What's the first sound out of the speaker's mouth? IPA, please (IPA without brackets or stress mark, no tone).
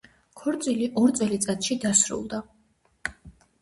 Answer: kʰ